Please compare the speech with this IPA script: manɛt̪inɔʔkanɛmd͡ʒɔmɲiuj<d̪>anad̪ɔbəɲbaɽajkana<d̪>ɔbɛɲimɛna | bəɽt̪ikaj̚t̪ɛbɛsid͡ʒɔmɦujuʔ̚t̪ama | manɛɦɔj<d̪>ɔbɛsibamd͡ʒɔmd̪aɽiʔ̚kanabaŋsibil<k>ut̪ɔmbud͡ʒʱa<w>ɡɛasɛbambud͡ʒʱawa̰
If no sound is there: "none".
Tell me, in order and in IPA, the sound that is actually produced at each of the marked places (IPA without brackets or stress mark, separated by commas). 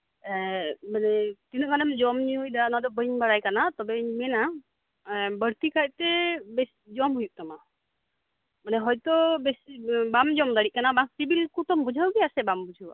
d̪, t̪, t̪, k, w